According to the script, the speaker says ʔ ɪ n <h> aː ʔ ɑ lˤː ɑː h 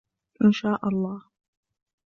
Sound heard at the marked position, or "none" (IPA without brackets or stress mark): ʃ